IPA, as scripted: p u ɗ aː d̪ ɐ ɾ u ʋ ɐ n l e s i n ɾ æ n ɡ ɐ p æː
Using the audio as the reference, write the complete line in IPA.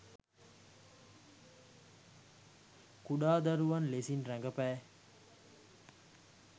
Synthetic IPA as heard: k u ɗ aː d̪ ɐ ɾ u ʋ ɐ n l e s i n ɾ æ ŋ ɡ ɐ p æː